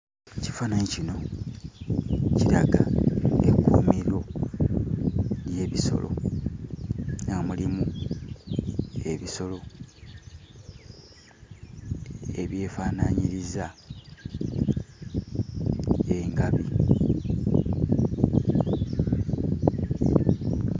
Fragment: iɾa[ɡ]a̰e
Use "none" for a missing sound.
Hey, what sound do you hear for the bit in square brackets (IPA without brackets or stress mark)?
ɡ